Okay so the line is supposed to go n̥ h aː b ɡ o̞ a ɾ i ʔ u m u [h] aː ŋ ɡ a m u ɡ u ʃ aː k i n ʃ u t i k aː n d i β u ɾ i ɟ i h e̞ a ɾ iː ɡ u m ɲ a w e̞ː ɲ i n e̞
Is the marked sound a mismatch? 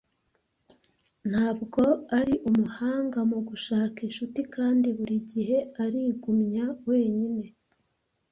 no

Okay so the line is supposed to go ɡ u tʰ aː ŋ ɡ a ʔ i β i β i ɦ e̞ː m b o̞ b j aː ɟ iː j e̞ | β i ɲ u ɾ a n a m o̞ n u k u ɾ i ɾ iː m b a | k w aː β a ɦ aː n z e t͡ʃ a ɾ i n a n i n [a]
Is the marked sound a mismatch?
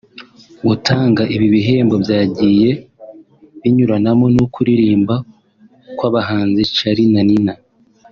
no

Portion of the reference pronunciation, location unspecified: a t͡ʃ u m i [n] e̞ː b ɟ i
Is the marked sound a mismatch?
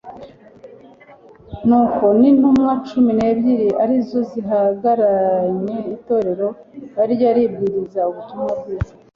no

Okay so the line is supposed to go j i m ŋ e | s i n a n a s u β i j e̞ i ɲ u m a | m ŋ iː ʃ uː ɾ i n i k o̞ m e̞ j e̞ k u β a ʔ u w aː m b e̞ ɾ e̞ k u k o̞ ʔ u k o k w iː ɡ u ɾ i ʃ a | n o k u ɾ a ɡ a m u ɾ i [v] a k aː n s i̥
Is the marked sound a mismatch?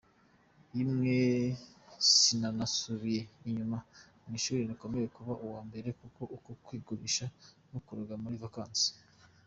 no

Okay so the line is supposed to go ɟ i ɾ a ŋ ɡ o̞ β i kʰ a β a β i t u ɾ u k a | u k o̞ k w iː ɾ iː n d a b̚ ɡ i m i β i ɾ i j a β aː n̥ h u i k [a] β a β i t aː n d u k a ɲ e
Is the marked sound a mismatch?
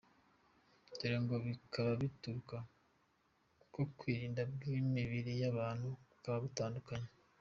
no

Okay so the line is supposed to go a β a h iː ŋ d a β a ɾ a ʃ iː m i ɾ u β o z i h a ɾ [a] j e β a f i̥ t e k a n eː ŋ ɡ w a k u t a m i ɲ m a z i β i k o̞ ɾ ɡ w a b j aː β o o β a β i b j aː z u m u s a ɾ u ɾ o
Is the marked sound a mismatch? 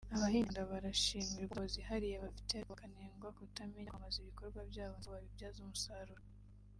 yes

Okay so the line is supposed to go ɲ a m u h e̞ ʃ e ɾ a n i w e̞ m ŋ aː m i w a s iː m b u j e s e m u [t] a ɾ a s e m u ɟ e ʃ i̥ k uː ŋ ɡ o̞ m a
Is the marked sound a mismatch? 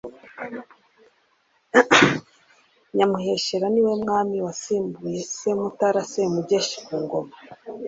no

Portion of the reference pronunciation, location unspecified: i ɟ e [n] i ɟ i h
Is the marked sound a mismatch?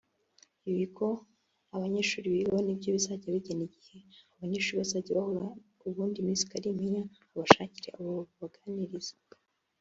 no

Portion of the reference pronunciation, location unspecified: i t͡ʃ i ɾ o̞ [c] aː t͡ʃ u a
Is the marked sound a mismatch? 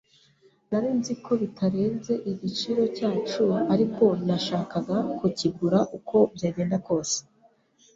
no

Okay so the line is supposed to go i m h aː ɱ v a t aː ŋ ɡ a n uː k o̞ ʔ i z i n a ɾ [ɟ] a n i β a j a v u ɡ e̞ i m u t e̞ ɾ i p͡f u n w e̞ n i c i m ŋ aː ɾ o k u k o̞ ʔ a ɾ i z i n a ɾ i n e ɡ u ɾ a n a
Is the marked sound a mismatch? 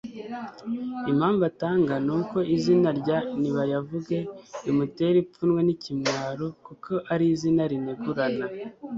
no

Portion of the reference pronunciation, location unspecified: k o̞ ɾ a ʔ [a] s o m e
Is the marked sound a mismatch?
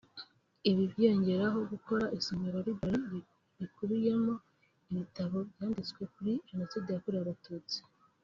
yes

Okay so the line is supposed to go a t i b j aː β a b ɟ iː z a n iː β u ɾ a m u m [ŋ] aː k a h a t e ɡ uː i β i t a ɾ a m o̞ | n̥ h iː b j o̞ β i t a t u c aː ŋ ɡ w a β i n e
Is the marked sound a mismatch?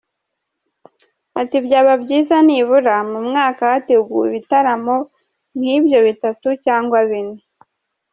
no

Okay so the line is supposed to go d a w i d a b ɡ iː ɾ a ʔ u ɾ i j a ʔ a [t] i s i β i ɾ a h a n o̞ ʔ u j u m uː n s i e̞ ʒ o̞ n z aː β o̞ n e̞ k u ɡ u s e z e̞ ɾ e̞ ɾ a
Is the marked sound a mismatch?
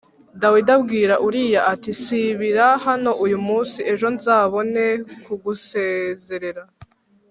no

